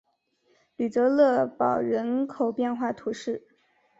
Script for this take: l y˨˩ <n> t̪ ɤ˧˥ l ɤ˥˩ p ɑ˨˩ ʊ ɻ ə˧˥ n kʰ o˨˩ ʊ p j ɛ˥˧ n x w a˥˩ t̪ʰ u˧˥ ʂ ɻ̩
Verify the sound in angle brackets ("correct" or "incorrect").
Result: incorrect